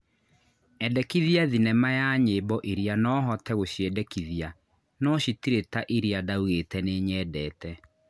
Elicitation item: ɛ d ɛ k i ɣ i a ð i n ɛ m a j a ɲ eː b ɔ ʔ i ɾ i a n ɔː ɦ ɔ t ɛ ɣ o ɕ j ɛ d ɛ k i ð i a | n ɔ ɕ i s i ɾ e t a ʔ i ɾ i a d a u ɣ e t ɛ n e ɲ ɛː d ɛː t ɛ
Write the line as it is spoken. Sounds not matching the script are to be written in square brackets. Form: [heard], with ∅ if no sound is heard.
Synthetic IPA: ɛ d ɛ k i [ð] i a ð i n ɛ m a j a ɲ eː b ɔ ʔ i ɾ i a n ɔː ɦ ɔ t ɛ ɣ o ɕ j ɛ d ɛ k i ð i a | n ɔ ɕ i [t] i ɾ e t a ʔ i ɾ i a d a u ɣ e t ɛ n e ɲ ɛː d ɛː t ɛ